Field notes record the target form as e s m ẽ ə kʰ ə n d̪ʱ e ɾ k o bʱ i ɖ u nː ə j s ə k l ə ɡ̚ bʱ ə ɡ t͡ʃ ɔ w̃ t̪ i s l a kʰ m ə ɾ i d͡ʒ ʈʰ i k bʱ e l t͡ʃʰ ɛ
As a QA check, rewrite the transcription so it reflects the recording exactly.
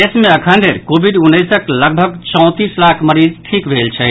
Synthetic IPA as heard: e s m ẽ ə kʰ ə n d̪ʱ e ɾ k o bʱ i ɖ u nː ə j s ə k l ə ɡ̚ bʱ ə ɡ t͡ʃ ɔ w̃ t̪ i s l a kʰ m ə ɾ i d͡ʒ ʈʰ i k bʱ e l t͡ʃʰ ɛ